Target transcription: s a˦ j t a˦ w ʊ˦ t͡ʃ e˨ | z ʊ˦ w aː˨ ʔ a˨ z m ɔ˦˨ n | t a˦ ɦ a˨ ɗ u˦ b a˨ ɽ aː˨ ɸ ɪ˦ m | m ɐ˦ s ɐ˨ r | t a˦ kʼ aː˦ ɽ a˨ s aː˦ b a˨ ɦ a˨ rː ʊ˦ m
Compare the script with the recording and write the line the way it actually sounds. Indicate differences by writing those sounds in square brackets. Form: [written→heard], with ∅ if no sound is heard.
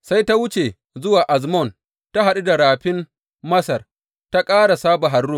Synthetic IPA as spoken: s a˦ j t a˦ w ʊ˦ t͡ʃ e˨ | z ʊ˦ w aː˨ ʔ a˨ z m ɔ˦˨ n | t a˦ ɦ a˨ ɗ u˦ [b→d] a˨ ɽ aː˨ ɸ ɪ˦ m | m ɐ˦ s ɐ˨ r | t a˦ kʼ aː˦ ɽ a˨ s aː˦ b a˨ ɦ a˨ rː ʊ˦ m